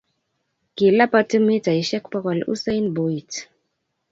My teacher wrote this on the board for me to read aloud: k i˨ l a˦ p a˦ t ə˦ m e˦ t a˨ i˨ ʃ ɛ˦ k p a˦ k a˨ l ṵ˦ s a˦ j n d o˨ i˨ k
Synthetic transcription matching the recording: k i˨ l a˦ p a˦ t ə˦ m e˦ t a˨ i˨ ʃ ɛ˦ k p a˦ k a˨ l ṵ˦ s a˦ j n b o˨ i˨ t